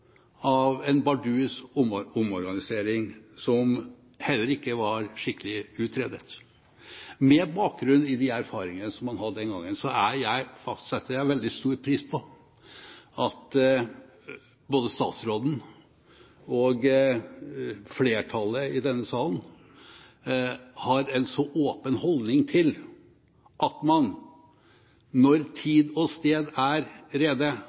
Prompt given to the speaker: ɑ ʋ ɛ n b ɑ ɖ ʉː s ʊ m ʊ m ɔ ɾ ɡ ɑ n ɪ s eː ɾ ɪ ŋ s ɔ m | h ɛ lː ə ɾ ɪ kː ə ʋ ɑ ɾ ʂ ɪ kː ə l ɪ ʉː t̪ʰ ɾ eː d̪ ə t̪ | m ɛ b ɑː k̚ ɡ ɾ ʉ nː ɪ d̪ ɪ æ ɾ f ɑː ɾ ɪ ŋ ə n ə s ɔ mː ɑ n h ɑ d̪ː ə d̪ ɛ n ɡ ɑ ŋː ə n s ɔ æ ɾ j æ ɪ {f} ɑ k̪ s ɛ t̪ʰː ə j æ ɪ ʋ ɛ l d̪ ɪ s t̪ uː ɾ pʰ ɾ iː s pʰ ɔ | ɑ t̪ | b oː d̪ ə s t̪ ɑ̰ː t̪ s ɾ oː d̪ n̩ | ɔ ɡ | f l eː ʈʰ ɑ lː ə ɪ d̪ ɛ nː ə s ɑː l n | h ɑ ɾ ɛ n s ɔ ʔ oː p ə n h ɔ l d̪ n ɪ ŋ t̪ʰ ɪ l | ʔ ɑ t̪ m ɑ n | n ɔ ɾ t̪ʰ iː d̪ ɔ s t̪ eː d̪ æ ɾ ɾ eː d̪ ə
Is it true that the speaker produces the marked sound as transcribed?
yes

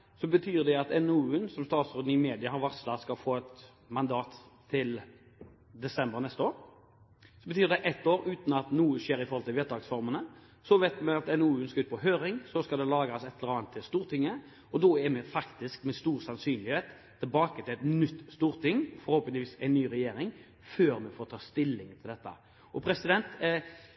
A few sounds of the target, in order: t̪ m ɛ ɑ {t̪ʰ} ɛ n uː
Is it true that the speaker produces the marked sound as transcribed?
no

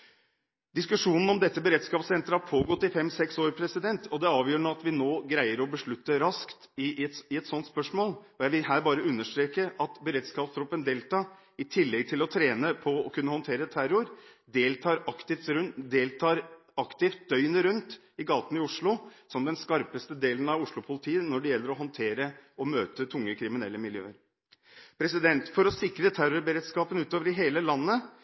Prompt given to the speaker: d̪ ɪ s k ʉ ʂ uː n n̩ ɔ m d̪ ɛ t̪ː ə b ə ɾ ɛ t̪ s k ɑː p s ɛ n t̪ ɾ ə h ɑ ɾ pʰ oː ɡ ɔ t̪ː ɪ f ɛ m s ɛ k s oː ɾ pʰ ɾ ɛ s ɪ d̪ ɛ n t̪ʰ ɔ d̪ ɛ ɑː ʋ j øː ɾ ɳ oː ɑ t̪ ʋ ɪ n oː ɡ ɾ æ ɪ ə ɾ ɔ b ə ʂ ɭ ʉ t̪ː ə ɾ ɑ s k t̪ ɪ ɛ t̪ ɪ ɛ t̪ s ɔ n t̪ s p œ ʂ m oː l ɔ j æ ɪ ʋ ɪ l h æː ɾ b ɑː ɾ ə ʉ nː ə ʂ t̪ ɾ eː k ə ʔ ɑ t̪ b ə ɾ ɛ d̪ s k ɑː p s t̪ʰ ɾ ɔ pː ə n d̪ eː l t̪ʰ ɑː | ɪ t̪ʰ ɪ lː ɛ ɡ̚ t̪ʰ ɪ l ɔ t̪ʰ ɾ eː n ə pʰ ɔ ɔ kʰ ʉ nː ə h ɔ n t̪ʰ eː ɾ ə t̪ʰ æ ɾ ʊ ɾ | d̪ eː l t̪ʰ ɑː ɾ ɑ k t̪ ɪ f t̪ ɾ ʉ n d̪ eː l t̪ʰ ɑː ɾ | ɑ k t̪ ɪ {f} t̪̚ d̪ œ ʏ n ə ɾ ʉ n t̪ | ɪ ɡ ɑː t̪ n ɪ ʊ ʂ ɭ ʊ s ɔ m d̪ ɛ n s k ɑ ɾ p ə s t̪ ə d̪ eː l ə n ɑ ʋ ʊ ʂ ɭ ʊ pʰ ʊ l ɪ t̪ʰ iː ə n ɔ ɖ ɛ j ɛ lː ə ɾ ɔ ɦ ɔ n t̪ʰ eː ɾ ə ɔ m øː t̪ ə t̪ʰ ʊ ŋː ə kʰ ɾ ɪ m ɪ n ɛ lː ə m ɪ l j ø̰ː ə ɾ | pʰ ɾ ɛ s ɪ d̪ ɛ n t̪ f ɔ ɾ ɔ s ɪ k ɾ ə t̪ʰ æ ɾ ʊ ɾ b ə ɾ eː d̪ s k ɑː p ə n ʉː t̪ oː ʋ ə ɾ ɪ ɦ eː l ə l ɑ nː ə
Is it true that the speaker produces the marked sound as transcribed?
yes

